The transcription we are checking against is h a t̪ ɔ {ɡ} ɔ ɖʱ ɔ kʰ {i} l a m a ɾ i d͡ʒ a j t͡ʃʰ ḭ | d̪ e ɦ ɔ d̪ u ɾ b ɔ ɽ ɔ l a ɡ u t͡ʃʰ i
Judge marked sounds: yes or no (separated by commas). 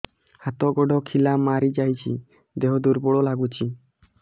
yes, yes